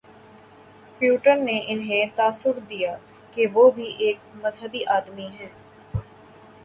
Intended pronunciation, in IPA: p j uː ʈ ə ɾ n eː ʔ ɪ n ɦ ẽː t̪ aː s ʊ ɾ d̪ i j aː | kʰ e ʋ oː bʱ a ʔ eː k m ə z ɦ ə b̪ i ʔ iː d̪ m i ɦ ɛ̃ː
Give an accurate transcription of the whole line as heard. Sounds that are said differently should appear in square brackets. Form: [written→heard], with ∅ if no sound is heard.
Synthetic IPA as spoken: p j uː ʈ ə ɾ n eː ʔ ɪ n ɦ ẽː t̪ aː s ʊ ɾ d̪ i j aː | [kʰ→k] e ʋ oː bʱ [a→i] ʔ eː k m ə z ɦ ə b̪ i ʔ [iː→aː] d̪ m i ɦ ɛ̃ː